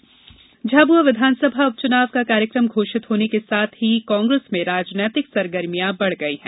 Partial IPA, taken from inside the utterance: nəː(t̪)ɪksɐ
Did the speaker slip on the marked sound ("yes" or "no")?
no